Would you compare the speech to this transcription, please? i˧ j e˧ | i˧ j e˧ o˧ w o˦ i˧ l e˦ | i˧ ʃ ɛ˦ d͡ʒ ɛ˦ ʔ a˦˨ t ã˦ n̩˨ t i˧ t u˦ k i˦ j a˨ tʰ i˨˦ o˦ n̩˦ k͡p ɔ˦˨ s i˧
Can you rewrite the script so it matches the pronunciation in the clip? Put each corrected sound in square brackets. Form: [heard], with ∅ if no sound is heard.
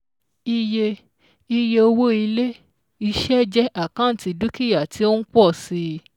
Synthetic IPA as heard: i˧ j e˧ | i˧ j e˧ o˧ w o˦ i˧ l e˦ | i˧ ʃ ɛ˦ d͡ʒ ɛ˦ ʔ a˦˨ [k] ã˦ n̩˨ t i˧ [d] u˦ k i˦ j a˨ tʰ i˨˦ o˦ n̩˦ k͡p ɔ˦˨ s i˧